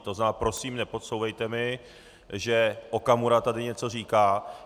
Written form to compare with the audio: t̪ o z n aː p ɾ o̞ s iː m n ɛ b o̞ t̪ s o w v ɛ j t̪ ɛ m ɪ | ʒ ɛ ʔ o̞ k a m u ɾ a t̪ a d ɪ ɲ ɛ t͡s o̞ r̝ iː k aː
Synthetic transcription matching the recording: t̪ o z n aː p ɾ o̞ s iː m n ɛ p o̞ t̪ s o w v ɛ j t̪ ɛ m ɪ | ʒ ɛ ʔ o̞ k a m u ɾ a t̪ a d ɪ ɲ ɛ t͡s o̞ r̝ iː k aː